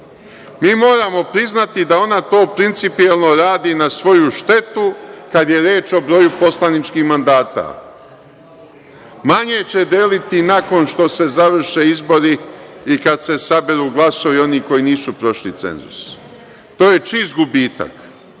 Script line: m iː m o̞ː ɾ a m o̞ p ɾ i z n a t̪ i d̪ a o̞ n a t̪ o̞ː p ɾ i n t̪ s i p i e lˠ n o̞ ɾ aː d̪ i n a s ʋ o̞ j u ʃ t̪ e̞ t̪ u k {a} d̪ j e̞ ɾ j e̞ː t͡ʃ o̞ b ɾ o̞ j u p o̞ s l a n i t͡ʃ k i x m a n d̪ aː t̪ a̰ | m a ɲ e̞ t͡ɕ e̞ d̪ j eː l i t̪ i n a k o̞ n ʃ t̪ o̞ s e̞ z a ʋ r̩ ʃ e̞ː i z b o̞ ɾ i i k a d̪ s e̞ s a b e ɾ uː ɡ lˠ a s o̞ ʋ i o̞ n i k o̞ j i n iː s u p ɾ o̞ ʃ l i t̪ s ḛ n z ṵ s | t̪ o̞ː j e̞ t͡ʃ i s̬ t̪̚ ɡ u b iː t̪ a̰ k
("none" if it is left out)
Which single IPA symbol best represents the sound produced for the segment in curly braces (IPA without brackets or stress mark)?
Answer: a